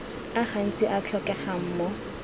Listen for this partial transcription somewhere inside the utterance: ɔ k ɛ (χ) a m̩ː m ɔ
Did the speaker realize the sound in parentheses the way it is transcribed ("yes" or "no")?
yes